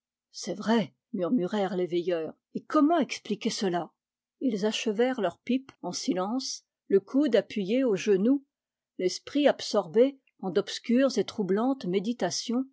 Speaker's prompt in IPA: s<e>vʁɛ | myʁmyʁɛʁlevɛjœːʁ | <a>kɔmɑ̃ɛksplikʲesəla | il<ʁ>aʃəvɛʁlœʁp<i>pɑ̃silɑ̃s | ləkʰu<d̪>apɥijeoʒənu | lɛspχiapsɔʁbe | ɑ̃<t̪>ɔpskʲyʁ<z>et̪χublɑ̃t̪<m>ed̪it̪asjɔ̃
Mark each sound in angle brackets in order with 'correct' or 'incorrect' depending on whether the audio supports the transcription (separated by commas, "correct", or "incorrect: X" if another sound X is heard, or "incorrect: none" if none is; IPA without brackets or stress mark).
incorrect: ɛ, incorrect: e, incorrect: z, correct, correct, incorrect: d̪, correct, correct